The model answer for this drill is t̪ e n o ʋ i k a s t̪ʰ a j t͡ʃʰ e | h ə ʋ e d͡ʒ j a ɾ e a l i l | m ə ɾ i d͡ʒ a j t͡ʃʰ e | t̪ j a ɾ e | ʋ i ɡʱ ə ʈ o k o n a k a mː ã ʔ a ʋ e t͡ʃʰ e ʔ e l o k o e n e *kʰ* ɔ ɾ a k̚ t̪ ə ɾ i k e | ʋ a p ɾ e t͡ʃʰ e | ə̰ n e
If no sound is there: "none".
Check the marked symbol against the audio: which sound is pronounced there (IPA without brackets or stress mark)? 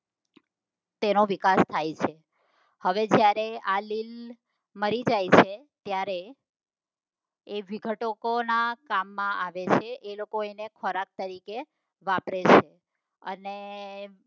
kʰ